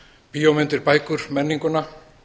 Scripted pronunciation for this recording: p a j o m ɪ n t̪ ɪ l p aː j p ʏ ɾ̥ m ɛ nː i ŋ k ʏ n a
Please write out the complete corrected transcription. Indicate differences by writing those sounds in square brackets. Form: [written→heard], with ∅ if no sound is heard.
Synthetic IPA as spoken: p [a→i] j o m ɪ n t̪ ɪ [l→ɾ] p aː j [p→k] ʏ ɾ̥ m ɛ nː i ŋ k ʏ n a